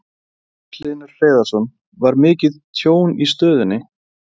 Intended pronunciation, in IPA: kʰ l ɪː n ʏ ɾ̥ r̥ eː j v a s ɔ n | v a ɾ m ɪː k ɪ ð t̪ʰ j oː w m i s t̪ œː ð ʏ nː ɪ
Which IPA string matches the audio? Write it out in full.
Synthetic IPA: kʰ l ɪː n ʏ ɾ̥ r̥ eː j ð a s ɔ n | v a ɾ m ɪː c ɪ ð t̪ʰ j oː w n i s t̪ œː ð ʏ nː ɪ